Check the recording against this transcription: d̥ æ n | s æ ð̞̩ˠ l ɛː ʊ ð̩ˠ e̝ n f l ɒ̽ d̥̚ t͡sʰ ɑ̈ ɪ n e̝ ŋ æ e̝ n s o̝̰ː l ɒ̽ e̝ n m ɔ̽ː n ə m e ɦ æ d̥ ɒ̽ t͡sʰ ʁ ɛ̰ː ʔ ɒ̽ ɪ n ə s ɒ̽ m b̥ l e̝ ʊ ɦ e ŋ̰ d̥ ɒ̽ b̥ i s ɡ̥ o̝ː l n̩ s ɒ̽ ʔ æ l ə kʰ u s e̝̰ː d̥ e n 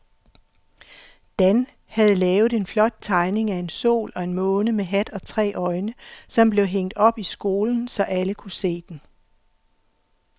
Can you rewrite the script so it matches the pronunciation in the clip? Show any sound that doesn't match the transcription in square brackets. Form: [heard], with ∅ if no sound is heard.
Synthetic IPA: d̥ æ n | [h] æ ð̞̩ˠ l ɛː ʊ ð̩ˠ e̝ n f l ɒ̽ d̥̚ t͡sʰ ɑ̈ ɪ n e̝ ŋ æ e̝ n s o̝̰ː l ɒ̽ e̝ n m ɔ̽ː n ə m e ɦ æ d̥ ɒ̽ t͡sʰ ʁ ɛ̰ː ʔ ɒ̽ ɪ n ə s ɒ̽ m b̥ l e̝ ʊ ɦ e ŋ̰ d̥ ɒ̽ b̥ i s ɡ̥ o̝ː l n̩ s ɒ̽ ʔ æ l ə kʰ u s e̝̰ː d̥ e n

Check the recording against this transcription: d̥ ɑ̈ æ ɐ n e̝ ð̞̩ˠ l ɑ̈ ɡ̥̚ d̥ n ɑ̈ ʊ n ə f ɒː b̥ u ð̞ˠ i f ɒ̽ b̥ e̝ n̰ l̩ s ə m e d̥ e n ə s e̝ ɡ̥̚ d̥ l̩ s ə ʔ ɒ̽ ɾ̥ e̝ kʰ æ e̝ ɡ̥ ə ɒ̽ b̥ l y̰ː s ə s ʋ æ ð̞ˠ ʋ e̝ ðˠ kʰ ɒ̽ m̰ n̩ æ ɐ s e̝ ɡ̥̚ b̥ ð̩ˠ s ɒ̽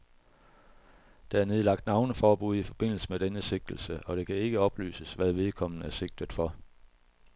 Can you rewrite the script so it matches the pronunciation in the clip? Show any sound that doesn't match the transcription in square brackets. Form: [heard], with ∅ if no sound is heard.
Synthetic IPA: d̥ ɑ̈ æ ɐ n e̝ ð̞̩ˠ l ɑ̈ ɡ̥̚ d̥ n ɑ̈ ʊ n ə f ɒː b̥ u ð̞ˠ i f ɒ̽ b̥ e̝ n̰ l̩ s ə m e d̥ e n ə s e̝ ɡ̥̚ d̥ l̩ s ə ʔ ɒ̽ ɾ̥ e̝ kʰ æ e̝ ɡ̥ ə ɒ̽ b̥ l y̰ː s ə s ʋ æ ð̞ˠ ʋ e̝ ðˠ kʰ ɒ̽ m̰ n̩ æ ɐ s e̝ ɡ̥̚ [d̥] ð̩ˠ [f] ɒ̽

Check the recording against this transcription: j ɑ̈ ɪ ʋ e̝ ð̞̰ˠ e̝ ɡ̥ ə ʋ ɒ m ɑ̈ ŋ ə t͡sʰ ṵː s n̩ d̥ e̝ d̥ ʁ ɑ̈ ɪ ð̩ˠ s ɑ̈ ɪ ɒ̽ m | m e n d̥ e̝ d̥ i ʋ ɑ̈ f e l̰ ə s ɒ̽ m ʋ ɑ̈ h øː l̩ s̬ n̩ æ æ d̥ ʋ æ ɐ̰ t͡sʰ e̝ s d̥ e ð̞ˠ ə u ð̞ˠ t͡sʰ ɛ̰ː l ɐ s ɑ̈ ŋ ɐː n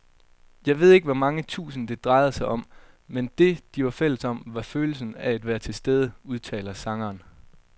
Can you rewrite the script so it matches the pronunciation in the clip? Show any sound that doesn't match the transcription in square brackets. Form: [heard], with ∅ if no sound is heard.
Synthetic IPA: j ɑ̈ ɪ ʋ e̝ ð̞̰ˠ e̝ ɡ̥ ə ʋ ɒ m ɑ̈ ŋ ə t͡sʰ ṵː s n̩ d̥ e̝ d̥ ʁ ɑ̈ ɪ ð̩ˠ s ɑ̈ ɪ ɒ̽ m | m e n d̥ e̝ d̥ i ʋ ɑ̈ f e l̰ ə s ɒ̽ m ʋ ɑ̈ [f] øː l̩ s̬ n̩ æ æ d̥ ʋ æ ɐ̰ t͡sʰ e̝ s d̥ e ð̞ˠ ə u ð̞ˠ t͡sʰ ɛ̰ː l ɐ s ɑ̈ ŋ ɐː n

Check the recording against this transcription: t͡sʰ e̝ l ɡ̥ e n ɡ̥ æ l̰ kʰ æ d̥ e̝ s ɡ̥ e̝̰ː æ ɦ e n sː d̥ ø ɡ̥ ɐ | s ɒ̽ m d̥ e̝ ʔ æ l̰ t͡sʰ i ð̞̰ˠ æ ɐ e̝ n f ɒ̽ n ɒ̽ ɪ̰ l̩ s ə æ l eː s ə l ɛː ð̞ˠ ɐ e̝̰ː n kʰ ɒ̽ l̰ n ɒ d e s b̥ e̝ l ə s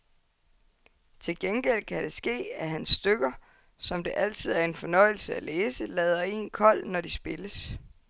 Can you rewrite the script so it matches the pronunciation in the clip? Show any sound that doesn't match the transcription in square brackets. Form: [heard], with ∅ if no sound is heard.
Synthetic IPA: t͡sʰ e̝ l ɡ̥ e n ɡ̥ [e] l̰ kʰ æ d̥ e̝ s ɡ̥ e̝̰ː æ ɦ [æ] n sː d̥ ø ɡ̥ ɐ | s ɒ̽ m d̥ e̝ ʔ æ l̰ t͡sʰ i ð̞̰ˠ æ ɐ e̝ n f ɒ̽ n ɒ̽ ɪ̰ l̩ s ə æ l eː s ə l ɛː ð̞ˠ ɐ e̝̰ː n kʰ ɒ̽ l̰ n ɒ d [i] s b̥ e̝ l ə s

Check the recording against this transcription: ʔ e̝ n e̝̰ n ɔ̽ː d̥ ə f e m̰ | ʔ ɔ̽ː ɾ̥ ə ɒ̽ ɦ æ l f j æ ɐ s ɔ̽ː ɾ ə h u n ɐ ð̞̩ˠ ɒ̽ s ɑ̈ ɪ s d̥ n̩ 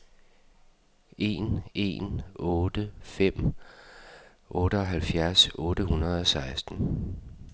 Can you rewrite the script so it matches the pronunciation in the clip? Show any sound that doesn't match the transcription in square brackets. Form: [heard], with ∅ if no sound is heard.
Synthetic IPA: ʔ e̝ n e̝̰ n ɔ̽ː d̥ ə f e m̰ | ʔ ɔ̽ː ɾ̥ ə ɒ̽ ɦ æ l f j æ ɐ s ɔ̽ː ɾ ə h u n ɐ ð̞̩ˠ ɒ̽ s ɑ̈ ɪ s d̥ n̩

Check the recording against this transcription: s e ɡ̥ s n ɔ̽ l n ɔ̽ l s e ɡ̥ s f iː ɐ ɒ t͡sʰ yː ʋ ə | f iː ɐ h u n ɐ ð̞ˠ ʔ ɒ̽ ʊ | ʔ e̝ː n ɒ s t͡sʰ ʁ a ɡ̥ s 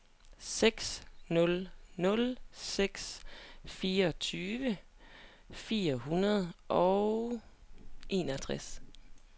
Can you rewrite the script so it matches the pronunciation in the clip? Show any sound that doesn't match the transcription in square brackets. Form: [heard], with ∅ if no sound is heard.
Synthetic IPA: s e ɡ̥ s n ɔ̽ l n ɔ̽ l s e ɡ̥ s f iː ɐ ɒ t͡sʰ yː ʋ ə | f iː ɐ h u n ɐ ð̞ˠ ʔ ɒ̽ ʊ | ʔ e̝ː n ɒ [∅] t͡sʰ ʁ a [∅] s

